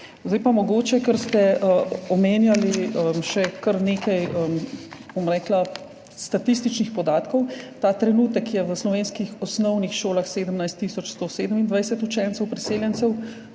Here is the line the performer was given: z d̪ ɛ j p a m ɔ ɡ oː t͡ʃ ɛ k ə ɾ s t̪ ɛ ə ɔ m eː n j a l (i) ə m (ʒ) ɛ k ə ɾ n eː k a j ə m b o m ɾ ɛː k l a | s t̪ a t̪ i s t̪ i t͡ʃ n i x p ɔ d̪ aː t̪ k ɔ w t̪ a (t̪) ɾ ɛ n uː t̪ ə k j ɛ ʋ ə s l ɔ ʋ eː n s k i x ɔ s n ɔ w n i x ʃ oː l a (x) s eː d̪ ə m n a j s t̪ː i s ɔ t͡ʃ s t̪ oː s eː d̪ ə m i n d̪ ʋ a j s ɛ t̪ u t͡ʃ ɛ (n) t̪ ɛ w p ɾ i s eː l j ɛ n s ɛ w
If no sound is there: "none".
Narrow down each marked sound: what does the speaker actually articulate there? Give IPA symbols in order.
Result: i, ʃ, t̪, x, n

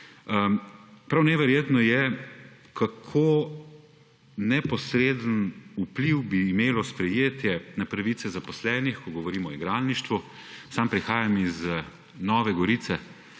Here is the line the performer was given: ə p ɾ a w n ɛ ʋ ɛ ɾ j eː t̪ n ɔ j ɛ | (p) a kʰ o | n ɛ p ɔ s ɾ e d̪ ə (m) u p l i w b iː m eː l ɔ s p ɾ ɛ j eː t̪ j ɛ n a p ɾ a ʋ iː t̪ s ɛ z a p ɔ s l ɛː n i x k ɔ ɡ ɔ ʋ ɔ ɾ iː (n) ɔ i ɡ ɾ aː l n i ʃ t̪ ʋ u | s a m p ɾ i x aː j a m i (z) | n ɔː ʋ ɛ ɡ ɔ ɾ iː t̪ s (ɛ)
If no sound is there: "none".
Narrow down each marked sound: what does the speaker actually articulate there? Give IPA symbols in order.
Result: k, n, m, z, ɛ

